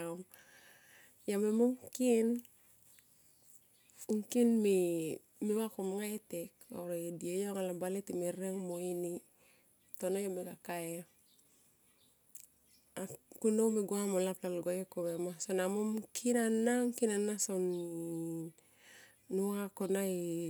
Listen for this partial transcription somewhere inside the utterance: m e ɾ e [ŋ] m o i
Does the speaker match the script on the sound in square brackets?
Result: yes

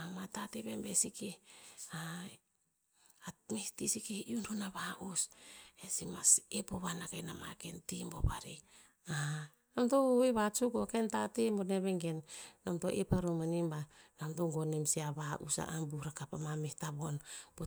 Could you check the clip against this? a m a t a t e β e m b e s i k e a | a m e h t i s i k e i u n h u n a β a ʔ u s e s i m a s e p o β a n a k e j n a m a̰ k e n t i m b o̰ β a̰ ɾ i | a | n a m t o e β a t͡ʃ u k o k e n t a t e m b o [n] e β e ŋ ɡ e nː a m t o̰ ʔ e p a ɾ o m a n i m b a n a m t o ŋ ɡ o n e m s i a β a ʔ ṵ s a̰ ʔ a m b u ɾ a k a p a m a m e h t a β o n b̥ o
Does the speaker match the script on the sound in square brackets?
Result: yes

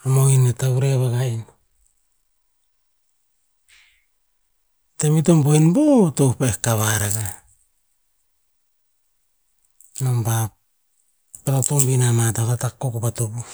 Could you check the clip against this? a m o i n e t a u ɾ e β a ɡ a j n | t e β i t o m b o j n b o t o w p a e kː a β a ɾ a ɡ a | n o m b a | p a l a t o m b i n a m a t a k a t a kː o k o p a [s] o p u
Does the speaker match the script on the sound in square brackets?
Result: no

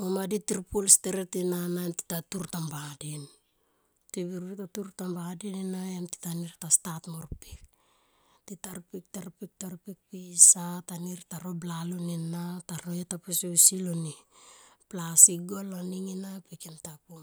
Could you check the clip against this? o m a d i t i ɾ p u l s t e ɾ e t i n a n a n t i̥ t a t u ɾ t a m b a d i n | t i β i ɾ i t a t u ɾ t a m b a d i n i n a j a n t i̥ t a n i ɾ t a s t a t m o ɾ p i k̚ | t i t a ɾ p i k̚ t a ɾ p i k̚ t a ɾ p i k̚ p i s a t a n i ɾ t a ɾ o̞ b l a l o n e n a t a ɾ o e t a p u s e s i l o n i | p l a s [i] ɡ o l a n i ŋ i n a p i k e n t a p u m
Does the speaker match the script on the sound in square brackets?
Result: yes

